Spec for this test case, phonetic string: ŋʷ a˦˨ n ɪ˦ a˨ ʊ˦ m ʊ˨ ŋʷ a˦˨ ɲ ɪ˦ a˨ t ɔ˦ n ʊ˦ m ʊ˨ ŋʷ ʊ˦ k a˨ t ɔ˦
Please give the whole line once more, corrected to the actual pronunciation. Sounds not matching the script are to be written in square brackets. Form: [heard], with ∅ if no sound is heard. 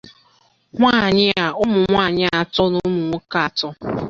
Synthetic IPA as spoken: ŋʷ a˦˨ [ɲ] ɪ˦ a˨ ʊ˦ m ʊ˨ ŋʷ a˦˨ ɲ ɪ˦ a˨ t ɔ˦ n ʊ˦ m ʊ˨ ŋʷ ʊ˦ k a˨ t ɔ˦